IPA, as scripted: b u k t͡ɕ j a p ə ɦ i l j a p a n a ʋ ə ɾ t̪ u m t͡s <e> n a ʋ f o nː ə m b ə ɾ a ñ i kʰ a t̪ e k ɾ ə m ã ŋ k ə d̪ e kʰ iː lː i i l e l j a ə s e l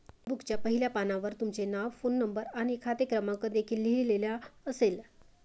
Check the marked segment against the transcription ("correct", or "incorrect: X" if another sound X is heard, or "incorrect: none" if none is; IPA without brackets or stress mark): correct